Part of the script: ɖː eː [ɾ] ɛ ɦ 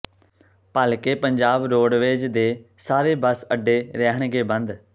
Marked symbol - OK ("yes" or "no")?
yes